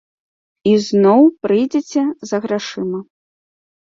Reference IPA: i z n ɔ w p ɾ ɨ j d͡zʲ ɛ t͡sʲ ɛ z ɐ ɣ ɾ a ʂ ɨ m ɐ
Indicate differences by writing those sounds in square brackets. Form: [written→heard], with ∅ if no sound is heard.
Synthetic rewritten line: i z n ɔ w p ɾ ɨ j d͡zʲ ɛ t͡sʲ ɛ z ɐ ɣ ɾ a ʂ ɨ m ɐ